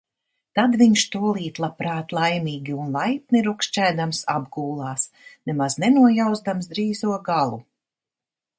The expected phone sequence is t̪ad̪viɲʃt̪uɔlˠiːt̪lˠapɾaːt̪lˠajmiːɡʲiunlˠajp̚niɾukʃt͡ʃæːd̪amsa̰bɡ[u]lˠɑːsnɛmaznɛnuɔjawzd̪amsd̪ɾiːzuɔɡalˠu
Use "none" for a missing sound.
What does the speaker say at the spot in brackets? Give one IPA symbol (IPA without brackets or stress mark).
uː